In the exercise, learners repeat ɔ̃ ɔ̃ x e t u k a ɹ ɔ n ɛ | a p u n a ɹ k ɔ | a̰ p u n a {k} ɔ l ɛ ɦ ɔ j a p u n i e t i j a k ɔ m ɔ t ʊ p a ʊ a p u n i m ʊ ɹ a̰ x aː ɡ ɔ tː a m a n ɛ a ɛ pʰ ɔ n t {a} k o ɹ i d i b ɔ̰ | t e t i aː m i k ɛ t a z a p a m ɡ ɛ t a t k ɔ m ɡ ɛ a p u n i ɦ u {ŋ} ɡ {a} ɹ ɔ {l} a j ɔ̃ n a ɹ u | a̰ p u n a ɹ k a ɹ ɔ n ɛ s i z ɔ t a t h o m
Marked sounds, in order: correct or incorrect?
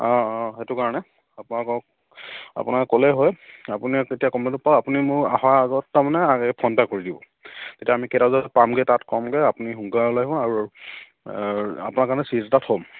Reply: correct, correct, correct, correct, correct

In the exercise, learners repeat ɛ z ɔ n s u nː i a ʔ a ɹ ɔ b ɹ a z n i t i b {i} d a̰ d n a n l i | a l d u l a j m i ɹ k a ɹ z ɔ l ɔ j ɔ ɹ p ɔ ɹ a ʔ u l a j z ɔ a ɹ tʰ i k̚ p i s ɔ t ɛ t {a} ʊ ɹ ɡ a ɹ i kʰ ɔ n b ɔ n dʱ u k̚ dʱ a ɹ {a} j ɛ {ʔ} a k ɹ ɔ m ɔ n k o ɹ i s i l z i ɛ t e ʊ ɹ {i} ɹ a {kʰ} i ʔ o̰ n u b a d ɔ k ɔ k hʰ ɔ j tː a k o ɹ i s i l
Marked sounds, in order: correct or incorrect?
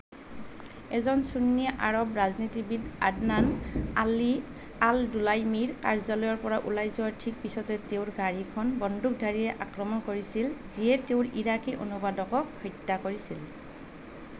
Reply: correct, incorrect: e, incorrect: i, correct, correct, incorrect: k

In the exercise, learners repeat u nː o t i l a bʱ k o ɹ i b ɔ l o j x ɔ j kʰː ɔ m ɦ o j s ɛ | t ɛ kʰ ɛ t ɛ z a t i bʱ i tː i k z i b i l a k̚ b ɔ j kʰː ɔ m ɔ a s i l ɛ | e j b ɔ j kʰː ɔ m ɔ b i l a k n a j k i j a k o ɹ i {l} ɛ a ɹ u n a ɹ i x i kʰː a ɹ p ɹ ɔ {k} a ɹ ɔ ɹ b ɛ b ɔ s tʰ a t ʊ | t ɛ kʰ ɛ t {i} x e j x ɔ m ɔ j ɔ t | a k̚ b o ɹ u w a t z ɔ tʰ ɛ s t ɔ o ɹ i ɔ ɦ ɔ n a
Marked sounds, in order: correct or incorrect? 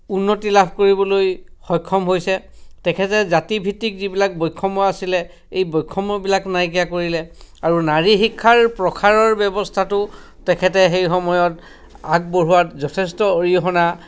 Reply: correct, incorrect: kʰ, incorrect: ɛ

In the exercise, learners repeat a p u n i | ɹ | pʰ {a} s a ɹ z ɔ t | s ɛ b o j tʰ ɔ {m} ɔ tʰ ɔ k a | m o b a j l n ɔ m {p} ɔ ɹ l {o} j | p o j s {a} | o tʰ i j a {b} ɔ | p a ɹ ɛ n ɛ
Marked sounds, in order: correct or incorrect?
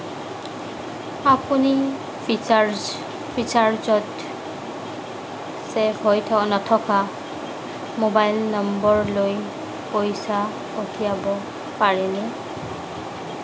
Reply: incorrect: i, incorrect: n, incorrect: b, correct, correct, correct

